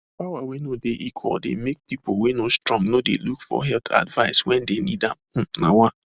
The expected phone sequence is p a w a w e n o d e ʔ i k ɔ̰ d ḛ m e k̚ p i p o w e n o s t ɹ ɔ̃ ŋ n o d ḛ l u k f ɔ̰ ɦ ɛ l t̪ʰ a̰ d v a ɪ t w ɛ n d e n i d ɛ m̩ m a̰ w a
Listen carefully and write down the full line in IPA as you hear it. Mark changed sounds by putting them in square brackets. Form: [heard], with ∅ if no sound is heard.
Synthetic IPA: p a w a w e n o d e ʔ i [kʰ] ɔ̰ d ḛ m e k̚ p i p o w e n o s t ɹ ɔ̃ ŋ n o d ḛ l u k f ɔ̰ ɦ ɛ l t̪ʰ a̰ d v a ɪ [s] w ɛ n d e n i d [a] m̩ [n] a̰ w a